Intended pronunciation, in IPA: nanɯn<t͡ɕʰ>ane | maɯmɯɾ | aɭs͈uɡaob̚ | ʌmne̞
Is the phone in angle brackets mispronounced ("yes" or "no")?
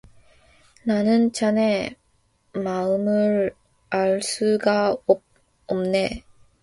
yes